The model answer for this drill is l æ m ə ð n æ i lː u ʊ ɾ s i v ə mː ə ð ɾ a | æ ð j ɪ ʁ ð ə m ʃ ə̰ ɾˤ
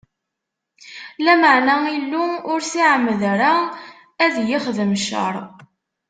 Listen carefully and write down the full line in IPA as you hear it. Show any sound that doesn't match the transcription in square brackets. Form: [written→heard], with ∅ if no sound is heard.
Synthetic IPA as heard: l æ m ə [ð→ʕ] n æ i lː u ʊ ɾ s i [v→ʕ] ə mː ə ð ɾ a | æ ð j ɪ [ʁ→χ] ð ə m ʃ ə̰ ɾˤ